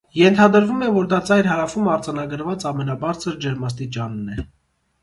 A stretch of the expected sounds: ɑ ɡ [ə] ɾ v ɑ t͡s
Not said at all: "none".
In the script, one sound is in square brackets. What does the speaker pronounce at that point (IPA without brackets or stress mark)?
ə